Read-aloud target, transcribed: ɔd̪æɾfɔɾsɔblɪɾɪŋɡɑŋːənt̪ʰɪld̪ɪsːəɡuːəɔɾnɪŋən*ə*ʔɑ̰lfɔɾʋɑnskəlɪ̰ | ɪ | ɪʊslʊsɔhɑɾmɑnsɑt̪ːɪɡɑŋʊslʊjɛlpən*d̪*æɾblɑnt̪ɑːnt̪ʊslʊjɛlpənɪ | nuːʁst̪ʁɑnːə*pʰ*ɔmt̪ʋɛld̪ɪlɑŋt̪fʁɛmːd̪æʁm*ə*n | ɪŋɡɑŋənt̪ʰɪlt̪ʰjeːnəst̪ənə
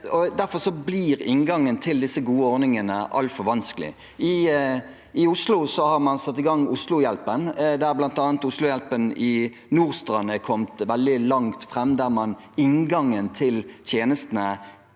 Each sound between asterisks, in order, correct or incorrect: correct, correct, incorrect: kʰ, incorrect: ɑ

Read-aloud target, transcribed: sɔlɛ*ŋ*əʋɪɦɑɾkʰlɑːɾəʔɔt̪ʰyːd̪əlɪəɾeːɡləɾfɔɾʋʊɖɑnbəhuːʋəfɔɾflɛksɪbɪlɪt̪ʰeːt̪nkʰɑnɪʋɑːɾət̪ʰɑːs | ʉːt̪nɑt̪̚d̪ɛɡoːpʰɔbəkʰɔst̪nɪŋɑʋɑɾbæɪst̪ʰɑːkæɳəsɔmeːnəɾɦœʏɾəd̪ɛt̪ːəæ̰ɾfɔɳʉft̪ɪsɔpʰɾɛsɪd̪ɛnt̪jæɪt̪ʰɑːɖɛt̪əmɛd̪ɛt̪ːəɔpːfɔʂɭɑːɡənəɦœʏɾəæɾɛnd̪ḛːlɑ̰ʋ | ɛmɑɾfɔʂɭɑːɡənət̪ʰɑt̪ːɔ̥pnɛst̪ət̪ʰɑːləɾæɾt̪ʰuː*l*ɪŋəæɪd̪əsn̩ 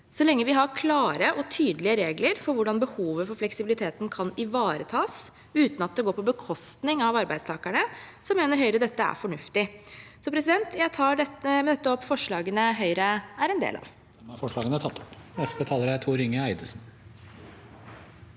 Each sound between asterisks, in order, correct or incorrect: incorrect: ŋː, incorrect: ɾ

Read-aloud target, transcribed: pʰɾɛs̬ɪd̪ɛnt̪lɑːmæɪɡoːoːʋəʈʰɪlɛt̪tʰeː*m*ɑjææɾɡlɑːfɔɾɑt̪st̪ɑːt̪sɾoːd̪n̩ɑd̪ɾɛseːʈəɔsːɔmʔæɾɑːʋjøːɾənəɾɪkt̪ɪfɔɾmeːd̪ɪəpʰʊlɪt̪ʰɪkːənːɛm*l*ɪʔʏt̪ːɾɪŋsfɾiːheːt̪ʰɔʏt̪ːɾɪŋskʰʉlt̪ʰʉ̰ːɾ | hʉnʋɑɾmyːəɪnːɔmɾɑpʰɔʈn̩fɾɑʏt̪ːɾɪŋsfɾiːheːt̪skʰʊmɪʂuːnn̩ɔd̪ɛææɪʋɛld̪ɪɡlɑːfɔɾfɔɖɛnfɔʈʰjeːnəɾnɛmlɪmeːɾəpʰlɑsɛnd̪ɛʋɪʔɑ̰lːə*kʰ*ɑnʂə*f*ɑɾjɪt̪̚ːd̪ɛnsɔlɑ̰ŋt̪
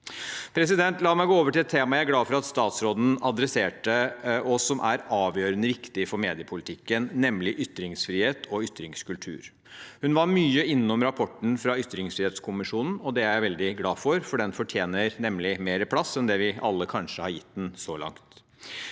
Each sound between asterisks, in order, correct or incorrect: correct, correct, correct, incorrect: h

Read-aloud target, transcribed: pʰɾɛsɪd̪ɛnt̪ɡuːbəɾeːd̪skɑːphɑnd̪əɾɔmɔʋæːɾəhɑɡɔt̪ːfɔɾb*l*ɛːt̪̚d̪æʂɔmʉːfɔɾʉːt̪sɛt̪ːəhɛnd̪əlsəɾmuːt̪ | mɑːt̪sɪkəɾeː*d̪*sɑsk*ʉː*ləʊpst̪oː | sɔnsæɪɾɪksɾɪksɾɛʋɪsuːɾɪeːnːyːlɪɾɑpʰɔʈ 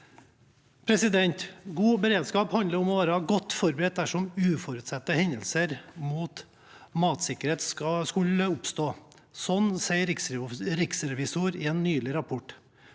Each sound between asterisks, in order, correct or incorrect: incorrect: ɾ, incorrect: t̪, incorrect: ʉ

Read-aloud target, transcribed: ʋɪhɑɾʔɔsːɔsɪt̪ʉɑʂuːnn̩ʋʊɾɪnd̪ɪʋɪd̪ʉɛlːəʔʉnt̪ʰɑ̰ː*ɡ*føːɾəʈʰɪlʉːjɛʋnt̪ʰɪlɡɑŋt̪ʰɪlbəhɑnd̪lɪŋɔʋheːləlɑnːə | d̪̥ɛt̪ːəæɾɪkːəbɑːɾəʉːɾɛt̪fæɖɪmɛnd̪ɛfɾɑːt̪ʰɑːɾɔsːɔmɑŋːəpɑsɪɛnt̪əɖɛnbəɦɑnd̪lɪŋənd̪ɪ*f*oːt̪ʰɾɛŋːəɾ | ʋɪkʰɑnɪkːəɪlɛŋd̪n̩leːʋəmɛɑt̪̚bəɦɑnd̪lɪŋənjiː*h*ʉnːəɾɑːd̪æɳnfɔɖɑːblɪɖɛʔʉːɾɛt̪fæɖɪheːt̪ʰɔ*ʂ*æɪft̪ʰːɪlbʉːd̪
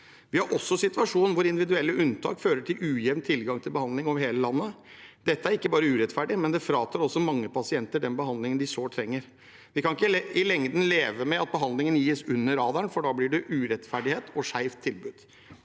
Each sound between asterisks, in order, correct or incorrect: incorrect: k, incorrect: s, incorrect: s, correct

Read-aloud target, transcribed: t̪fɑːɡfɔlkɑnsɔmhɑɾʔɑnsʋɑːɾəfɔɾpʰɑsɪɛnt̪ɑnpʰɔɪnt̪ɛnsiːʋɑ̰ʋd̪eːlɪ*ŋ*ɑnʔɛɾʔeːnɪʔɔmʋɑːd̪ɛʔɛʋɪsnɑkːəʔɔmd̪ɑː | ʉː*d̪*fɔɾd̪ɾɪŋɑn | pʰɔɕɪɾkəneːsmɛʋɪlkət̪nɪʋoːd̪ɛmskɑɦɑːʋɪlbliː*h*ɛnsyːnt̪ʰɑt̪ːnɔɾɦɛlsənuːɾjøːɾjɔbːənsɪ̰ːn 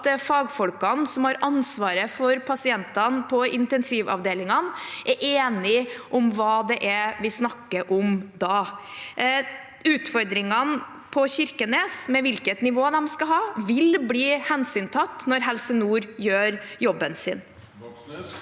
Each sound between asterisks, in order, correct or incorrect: correct, incorrect: t̪, correct

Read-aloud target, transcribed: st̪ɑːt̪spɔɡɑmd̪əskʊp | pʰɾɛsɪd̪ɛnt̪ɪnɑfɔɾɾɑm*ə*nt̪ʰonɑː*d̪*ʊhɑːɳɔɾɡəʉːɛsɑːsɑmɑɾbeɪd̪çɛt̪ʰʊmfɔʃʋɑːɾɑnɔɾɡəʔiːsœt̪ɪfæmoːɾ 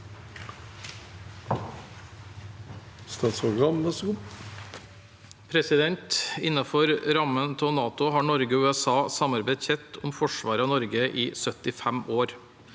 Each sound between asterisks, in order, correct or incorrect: correct, incorrect: t̪

